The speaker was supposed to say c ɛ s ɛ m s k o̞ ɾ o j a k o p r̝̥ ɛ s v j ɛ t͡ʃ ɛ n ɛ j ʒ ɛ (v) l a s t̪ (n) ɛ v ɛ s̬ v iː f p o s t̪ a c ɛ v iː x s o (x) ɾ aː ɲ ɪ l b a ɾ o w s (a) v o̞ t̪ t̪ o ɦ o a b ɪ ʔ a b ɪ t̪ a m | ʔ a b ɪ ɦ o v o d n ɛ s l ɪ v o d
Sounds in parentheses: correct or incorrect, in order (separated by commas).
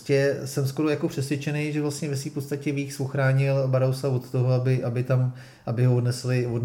correct, incorrect, correct, correct